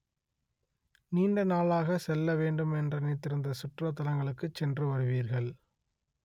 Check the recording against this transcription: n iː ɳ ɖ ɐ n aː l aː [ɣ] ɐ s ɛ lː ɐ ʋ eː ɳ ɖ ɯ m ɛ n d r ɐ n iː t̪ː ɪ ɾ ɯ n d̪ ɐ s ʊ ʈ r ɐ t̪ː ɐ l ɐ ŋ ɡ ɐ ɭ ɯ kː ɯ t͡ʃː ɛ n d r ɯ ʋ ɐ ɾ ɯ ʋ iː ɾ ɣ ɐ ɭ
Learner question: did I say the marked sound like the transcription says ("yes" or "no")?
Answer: yes